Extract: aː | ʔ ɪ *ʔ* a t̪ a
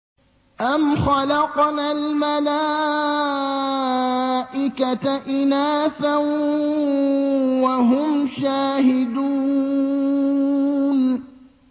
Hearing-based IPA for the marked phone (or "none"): k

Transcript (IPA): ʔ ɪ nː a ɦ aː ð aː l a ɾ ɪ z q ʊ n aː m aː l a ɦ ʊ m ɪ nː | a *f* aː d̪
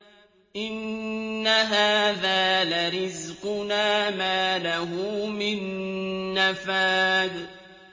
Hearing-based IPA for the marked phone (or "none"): f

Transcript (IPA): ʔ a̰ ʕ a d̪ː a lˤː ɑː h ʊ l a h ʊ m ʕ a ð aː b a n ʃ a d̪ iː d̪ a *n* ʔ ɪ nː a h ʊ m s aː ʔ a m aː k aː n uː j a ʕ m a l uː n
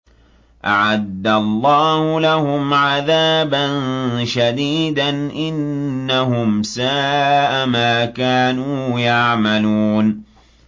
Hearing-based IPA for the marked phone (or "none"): n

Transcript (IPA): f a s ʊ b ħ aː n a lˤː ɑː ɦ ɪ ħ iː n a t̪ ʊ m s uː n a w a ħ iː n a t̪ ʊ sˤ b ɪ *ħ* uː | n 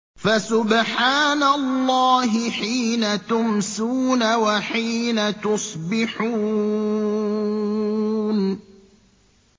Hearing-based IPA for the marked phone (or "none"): ħ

